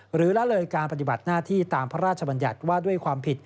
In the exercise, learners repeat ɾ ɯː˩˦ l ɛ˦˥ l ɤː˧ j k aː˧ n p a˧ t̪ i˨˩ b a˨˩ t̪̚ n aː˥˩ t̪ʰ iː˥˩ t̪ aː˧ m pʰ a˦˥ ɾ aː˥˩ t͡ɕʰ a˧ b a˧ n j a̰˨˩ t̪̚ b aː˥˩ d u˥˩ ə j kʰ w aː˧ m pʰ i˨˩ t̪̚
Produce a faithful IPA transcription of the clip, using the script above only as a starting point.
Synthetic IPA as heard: ɾ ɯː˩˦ l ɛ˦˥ l ɤː˧ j k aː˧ n p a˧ t̪ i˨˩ b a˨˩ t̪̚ n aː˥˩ t̪ʰ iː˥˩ t̪ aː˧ m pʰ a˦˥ ɾ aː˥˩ t͡ɕʰ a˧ b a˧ n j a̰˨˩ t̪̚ w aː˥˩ d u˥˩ ə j kʰ w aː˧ m pʰ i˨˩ t̪̚